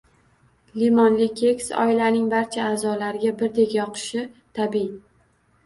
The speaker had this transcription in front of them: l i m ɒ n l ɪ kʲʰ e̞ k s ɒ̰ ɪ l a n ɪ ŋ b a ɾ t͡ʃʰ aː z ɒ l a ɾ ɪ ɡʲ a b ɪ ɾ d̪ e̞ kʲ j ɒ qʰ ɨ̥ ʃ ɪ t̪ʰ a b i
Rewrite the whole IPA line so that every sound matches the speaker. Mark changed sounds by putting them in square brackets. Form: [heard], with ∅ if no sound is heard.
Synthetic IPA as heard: l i m ɒ n l ɪ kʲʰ e̞ k s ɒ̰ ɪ l a n ɪ ŋ b a ɾ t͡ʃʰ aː z ɒ l a ɾ ɪ ɡʲ a b ɪ ɾ d̪ e̞ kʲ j ɒ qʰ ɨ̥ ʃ ɪ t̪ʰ a b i